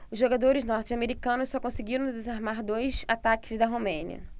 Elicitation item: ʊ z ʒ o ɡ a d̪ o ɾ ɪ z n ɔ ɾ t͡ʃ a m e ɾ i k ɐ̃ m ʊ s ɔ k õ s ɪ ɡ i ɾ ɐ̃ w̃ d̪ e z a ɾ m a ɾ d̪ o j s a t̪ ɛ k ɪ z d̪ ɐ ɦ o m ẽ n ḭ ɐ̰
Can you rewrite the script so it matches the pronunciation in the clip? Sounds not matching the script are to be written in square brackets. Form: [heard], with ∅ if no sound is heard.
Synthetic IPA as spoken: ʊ z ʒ o ɡ a d̪ o ɾ ɪ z n ɔ ɾ t͡ʃ a m e ɾ i k ɐ̃ [n] ʊ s ɔ k õ s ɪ ɡ i ɾ ɐ̃ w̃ d̪ e z a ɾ m a ɾ d̪ o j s a t̪ [a] k ɪ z d̪ ɐ ɦ o m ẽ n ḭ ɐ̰